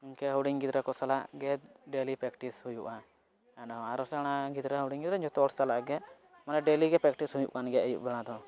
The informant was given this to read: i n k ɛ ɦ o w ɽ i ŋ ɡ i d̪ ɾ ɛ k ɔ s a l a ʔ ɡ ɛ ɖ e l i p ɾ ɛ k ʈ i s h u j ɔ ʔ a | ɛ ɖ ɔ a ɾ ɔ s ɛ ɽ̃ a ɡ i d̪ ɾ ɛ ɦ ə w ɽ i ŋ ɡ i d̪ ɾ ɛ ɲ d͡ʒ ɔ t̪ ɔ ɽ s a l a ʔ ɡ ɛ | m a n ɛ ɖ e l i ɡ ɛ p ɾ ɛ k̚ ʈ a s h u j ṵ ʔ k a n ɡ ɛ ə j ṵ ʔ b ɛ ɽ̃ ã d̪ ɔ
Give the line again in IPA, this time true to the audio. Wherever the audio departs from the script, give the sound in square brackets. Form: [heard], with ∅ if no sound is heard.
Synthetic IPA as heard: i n k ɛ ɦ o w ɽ i ŋ ɡ i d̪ ɾ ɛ k ɔ s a l a ʔ ɡ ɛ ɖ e l i p ɾ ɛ k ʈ i s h u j [u] ʔ a | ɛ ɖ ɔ a ɾ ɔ s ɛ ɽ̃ a ɡ i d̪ ɾ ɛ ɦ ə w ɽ i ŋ ɡ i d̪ ɾ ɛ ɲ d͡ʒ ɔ t̪ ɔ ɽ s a l a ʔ ɡ ɛ | m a n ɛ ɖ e l i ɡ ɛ p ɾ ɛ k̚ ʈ [i] s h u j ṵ ʔ k a n ɡ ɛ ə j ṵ ʔ b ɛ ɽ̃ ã d̪ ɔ